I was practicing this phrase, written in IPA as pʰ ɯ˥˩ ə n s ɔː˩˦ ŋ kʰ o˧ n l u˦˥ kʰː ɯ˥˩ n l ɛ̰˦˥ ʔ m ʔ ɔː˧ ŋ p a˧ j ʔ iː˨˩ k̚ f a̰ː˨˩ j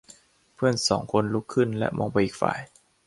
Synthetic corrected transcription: pʰ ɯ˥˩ ə n s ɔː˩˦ ŋ kʰ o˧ n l u˦˥ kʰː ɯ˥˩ n l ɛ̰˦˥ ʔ m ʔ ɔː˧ ŋ p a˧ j ʔ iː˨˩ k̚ f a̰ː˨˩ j